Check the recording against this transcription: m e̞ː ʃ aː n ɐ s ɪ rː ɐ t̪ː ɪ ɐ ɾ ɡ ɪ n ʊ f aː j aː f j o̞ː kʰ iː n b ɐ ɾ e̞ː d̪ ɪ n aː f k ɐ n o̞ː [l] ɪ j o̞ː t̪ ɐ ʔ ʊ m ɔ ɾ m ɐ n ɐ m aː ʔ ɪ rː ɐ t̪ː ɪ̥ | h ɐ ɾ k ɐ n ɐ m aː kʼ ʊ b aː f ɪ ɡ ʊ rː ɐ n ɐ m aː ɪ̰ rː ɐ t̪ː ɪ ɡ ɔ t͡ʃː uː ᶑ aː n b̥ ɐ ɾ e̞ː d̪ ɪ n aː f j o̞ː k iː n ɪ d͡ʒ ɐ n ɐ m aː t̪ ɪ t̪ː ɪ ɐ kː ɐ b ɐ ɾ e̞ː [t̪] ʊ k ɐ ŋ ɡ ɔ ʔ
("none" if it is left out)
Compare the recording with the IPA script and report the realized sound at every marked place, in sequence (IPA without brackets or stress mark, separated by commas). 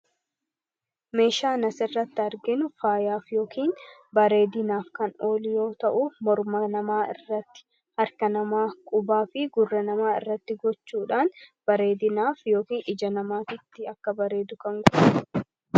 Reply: l, d̪